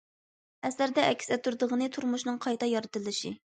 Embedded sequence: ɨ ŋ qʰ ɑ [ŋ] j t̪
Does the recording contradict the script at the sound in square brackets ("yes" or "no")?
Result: yes